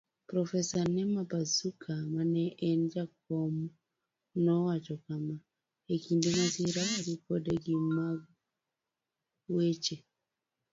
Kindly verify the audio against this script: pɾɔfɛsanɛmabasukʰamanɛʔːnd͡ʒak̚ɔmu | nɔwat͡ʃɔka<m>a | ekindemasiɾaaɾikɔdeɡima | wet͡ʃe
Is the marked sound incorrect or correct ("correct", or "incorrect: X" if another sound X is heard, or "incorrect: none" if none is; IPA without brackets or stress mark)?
correct